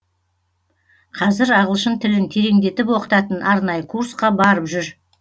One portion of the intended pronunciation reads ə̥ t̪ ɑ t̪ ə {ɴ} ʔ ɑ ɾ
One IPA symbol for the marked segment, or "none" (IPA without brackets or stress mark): n